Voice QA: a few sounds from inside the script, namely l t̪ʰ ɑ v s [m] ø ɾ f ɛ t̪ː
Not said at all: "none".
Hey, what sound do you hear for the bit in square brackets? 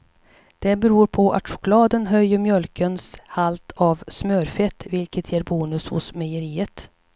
m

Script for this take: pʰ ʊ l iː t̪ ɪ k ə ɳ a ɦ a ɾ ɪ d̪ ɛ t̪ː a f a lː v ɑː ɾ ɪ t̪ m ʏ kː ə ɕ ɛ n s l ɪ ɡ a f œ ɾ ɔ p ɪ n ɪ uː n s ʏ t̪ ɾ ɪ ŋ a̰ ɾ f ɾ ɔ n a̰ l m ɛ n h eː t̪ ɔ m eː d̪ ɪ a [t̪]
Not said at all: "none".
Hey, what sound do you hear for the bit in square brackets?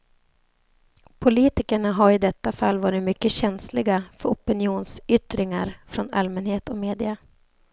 none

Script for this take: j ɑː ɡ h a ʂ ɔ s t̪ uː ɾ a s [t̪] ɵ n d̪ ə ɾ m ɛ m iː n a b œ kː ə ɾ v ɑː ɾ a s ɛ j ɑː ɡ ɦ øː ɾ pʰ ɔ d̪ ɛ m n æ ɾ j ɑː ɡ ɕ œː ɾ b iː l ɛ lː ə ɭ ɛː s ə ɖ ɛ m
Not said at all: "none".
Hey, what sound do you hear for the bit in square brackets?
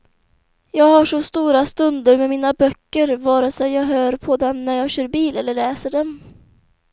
t̪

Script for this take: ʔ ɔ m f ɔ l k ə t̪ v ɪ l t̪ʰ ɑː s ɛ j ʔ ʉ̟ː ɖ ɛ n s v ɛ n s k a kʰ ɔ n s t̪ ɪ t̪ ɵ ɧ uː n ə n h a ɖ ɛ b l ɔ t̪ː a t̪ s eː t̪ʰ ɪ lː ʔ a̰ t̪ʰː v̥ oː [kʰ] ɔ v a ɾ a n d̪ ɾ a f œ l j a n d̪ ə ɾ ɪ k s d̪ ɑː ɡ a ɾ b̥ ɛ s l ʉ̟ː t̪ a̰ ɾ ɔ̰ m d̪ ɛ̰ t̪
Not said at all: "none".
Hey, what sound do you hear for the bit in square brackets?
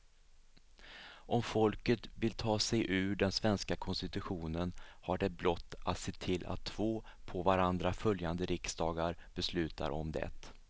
pʰ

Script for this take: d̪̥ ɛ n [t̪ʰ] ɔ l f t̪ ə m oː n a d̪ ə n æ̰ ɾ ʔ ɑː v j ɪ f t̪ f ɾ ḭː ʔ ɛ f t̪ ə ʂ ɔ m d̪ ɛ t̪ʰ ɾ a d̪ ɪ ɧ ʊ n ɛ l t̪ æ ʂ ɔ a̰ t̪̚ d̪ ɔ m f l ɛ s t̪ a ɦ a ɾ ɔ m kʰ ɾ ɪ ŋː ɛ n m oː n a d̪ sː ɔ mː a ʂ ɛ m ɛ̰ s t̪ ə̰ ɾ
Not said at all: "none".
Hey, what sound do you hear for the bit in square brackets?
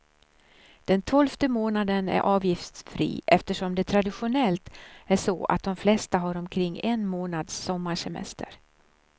t̪ʰ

